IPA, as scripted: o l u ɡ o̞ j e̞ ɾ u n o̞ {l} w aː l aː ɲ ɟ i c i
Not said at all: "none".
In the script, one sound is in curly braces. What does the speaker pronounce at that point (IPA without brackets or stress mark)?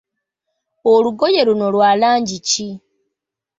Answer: l